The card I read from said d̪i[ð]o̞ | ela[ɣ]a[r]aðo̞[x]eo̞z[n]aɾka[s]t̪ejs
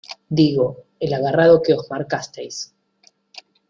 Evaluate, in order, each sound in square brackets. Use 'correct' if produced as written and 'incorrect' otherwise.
incorrect: ɣ, correct, correct, incorrect: k, incorrect: m, correct

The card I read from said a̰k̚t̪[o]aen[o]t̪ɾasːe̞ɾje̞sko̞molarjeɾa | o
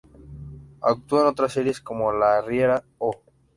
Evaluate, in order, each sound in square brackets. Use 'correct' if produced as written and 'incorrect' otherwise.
incorrect: u, correct

